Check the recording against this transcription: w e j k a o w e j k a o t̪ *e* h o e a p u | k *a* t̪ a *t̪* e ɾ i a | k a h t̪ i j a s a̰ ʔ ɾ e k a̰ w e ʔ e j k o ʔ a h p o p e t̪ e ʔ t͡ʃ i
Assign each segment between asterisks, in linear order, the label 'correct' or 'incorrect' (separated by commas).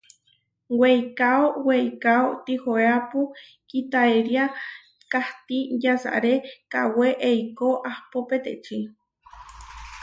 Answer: incorrect, incorrect, incorrect